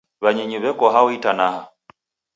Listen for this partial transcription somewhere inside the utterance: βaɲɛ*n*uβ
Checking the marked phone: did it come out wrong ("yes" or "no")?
yes